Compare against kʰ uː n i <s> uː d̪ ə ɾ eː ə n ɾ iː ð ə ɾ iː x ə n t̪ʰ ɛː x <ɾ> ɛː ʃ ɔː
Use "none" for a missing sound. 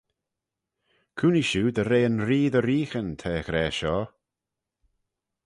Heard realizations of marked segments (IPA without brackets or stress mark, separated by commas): ʃ, ɾ